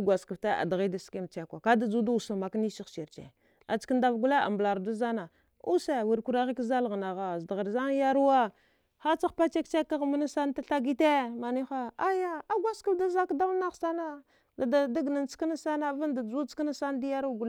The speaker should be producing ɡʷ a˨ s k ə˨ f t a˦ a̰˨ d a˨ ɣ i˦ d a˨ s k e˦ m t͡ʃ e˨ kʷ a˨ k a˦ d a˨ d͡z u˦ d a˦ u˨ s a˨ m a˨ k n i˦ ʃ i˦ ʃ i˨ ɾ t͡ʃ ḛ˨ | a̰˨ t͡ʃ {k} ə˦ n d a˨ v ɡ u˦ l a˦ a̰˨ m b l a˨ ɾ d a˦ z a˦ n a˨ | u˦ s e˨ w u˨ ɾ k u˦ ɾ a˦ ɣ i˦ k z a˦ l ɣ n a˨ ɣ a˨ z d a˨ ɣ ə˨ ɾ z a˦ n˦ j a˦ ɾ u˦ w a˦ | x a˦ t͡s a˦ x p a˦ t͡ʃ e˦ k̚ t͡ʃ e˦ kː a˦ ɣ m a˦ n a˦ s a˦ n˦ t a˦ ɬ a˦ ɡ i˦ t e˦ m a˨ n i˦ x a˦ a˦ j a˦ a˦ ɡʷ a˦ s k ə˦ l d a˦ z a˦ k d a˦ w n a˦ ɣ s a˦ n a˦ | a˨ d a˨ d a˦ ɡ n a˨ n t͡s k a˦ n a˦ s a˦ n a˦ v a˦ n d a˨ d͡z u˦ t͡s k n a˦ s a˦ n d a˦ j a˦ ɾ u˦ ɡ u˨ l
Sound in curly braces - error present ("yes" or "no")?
no